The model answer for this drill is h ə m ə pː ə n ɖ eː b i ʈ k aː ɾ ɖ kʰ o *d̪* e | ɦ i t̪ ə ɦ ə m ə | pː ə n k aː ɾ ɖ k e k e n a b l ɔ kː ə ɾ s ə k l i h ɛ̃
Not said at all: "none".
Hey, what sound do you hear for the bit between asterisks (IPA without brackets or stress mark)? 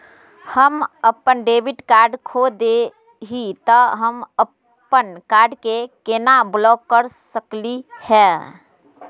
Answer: d̪